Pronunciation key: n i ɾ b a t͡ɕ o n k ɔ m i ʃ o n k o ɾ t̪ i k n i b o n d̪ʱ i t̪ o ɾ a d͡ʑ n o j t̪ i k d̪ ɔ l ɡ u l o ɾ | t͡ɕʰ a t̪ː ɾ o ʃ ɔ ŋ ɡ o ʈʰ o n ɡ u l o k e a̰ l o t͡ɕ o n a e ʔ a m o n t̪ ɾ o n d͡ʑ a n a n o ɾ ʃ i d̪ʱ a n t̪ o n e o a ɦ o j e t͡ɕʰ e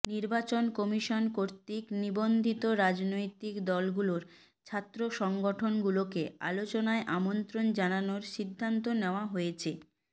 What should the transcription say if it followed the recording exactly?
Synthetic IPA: n i ɾ b a t͡ɕ o n k ɔ m i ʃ o n k o ɾ t̪ i k n i b o n d̪ʱ i t̪ o ɾ a d͡ʑ n o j t̪ i k d̪ ɔ l ɡ u l o ɾ | t͡ɕʰ a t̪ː ɾ o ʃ ɔ ŋ ɡ o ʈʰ o n ɡ u l o k e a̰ l o t͡ɕ o n a e ʔ a m o n t̪ ɾ o n d͡ʑ a n a n o ɾ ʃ i d̪ʱː a n t̪ o n e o a ɦ o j e t͡ɕʰ e